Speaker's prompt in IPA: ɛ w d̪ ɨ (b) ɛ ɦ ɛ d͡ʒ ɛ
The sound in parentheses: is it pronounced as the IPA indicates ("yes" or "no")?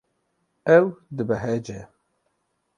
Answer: yes